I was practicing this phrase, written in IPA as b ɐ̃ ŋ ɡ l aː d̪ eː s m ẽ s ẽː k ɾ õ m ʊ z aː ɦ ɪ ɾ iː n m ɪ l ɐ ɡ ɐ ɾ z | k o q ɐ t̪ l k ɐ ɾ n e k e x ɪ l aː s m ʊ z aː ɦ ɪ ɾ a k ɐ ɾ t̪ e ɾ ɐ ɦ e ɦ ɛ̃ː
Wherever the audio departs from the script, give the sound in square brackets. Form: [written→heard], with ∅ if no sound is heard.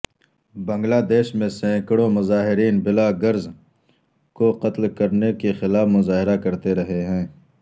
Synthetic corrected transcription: b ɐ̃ ŋ ɡ l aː d̪ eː [s→ʃ] m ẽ s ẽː k [ɾ→ɽ] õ m ʊ z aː ɦ ɪ ɾ iː n [m→b] ɪ l [ɐ→a] ɡ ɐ ɾ z | k o q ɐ t̪ l k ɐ ɾ n e k e x ɪ l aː [s→f] m ʊ z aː ɦ ɪ ɾ a k ɐ ɾ t̪ e ɾ ɐ ɦ e ɦ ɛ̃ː